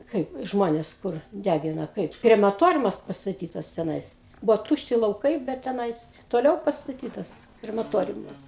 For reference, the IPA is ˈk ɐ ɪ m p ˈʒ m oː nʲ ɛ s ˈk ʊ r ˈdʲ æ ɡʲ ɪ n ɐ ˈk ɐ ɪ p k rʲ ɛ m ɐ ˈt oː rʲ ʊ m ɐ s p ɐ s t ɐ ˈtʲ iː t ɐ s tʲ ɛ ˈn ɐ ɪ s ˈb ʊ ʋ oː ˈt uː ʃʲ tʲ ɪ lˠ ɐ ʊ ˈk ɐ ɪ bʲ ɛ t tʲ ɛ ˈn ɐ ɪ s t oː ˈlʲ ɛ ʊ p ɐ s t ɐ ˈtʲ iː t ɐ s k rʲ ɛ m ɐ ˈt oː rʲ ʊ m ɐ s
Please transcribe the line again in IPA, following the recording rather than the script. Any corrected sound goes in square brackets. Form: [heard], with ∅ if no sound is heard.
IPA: ˈk ɐ ɪ [∅] p ˈʒ m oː nʲ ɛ s ˈk ʊ r ˈdʲ æ ɡʲ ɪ n ɐ ˈk ɐ ɪ p k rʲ ɛ m ɐ ˈt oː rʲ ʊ m ɐ s p ɐ s t ɐ ˈtʲ iː t ɐ s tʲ ɛ ˈn ɐ ɪ s ˈb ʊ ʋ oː ˈt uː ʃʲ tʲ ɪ lˠ ɐ ʊ ˈk ɐ ɪ bʲ ɛ t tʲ ɛ ˈn ɐ ɪ s t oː ˈlʲ ɛ ʊ p ɐ s t ɐ ˈtʲ iː t ɐ s k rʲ ɛ m ɐ ˈt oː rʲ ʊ m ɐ s